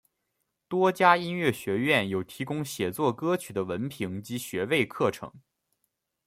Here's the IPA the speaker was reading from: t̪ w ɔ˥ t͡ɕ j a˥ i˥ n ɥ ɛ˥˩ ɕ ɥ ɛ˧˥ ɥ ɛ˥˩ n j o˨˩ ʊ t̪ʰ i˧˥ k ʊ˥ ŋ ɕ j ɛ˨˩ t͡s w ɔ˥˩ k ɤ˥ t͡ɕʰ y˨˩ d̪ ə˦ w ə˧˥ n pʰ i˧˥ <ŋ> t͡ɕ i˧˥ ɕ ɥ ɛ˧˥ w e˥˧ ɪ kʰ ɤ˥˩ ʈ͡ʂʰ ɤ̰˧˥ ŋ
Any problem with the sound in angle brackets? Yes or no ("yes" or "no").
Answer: no